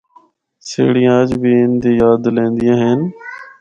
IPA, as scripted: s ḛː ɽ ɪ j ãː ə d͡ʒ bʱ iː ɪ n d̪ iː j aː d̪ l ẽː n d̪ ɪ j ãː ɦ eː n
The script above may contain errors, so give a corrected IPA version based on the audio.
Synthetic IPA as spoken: s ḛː ɽ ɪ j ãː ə d͡ʒ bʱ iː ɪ n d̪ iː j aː d̪ l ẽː n d̪ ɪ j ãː ɦ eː n